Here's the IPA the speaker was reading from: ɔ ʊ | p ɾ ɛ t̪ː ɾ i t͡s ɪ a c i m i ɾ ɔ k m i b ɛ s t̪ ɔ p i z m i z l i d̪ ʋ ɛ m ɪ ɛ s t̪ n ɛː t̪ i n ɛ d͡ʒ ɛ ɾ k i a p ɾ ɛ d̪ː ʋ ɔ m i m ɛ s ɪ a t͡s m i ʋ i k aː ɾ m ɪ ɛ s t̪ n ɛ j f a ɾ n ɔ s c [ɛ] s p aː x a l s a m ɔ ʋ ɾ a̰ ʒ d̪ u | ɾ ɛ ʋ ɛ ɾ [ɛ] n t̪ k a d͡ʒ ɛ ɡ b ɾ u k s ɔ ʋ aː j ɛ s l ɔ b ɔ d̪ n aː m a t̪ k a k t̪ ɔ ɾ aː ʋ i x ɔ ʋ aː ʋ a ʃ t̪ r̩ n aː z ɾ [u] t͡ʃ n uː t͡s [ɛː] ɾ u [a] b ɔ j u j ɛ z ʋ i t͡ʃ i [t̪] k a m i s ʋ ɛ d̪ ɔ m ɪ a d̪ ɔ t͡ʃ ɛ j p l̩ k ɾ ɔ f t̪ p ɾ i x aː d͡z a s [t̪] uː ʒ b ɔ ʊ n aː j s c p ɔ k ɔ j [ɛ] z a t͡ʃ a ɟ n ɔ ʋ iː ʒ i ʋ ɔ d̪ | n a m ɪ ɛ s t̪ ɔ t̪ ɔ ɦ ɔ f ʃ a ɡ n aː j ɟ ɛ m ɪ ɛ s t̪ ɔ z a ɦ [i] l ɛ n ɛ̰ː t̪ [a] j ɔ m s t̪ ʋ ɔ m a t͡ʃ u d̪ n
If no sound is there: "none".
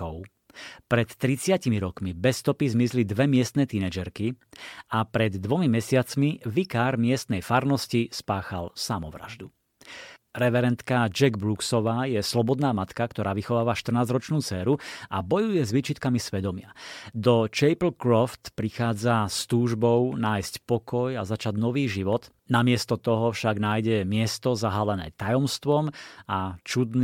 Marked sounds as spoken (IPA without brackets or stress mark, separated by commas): i, ɛ, ɔ, ɛː, a, t̪, t̪, a, a, a